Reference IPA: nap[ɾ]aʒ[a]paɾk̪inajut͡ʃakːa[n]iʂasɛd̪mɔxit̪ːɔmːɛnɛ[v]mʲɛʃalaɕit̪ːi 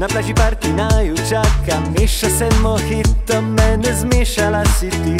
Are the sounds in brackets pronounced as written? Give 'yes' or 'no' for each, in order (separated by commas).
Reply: no, no, no, no